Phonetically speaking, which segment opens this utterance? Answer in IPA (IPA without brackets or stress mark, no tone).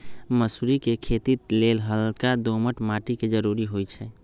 m